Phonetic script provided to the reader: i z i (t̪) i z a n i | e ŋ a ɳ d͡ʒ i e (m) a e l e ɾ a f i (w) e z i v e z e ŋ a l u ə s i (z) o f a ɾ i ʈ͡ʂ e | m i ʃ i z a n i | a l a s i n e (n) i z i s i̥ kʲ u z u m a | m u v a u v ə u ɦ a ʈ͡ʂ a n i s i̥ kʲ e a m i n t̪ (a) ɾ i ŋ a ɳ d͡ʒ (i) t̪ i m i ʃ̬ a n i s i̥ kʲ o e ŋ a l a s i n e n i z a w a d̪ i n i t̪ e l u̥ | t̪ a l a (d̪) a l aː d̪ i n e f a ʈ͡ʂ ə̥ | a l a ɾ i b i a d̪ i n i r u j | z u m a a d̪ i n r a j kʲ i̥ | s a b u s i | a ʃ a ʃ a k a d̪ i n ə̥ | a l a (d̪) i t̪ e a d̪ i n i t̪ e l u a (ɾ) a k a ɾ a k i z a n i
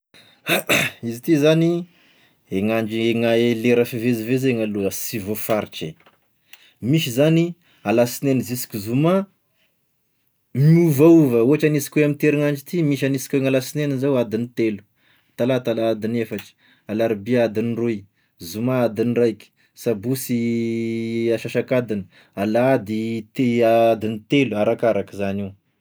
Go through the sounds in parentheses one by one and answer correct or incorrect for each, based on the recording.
correct, incorrect, incorrect, incorrect, correct, incorrect, correct, incorrect, correct, correct

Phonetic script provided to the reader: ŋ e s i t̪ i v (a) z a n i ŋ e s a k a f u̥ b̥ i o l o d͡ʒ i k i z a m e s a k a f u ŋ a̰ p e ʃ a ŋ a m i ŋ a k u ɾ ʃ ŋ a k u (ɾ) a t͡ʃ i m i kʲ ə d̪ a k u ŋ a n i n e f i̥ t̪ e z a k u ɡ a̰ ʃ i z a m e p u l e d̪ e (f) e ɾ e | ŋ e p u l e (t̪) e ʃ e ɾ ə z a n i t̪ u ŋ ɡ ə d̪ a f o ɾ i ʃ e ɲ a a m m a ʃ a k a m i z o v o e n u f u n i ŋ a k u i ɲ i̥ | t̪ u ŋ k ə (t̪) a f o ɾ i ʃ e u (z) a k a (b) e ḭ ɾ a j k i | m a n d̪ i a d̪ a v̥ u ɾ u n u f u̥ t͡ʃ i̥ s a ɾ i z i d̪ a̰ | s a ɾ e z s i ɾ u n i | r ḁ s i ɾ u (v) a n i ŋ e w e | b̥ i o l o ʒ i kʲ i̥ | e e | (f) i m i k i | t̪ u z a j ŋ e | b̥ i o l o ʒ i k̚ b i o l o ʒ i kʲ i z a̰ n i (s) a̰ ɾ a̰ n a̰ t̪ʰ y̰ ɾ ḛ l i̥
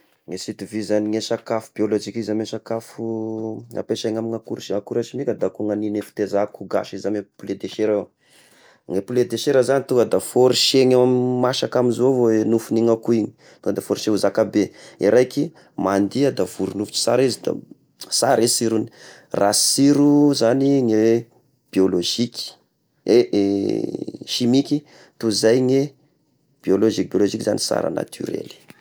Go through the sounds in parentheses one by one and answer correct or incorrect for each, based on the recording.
incorrect, correct, incorrect, incorrect, incorrect, correct, correct, incorrect, incorrect, correct

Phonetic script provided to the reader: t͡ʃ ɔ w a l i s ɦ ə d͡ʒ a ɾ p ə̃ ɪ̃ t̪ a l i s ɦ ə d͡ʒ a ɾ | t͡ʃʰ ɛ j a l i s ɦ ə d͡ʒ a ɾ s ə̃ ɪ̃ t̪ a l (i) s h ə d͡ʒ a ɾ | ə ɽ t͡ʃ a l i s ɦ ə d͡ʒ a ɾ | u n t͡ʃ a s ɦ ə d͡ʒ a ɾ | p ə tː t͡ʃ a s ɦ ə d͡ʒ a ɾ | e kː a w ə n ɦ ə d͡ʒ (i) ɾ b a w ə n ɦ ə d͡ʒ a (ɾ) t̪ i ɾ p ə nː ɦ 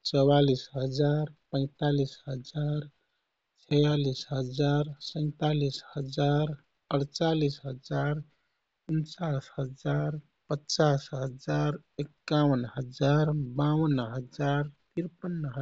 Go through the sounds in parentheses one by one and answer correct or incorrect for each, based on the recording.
correct, incorrect, correct

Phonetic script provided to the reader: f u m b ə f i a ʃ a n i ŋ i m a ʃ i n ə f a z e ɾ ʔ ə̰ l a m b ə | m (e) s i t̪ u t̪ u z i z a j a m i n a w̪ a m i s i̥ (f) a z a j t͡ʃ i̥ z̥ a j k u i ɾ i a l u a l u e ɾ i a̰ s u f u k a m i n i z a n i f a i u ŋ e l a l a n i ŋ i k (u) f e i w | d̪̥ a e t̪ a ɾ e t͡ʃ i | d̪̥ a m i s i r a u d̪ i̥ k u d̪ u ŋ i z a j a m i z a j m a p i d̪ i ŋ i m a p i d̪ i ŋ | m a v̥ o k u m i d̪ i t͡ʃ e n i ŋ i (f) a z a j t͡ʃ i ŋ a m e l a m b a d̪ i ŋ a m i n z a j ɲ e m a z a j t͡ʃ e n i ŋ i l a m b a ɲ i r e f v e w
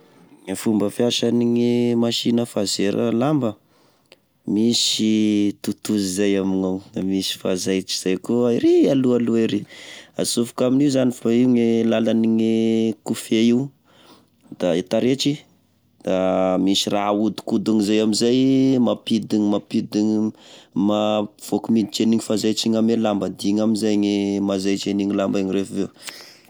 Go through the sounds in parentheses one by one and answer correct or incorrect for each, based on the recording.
incorrect, correct, correct, correct

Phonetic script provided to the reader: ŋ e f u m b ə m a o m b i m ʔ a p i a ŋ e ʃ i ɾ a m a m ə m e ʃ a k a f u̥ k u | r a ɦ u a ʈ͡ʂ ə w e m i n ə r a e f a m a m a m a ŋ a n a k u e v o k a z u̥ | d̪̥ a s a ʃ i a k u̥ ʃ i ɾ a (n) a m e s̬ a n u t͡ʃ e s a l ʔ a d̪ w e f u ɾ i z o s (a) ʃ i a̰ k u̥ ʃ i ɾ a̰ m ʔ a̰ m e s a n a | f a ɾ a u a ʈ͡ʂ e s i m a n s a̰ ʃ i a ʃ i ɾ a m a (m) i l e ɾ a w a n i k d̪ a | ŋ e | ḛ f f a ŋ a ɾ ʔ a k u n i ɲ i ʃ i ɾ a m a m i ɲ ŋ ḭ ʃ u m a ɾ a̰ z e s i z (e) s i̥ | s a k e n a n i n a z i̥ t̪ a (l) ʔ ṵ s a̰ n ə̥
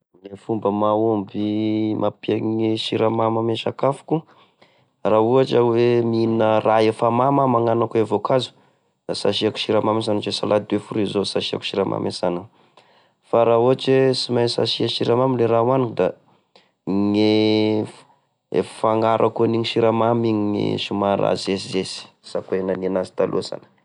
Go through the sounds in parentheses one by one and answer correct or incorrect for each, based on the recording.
incorrect, correct, correct, correct, correct

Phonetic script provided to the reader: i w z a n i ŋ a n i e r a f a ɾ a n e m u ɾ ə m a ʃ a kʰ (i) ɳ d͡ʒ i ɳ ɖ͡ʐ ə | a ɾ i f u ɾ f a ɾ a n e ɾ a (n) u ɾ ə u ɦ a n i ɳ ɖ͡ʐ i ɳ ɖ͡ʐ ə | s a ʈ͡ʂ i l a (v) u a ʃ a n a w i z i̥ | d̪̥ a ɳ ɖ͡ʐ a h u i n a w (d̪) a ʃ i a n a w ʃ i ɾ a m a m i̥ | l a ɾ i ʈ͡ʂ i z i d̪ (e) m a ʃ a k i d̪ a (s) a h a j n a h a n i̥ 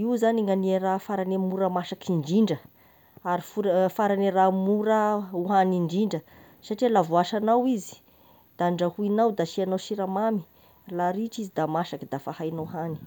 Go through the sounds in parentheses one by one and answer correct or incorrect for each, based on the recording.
correct, incorrect, correct, correct, incorrect, incorrect

